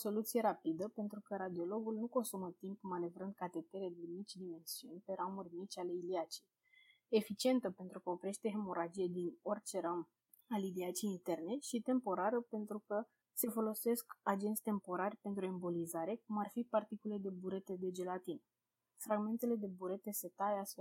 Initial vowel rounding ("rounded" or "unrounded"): rounded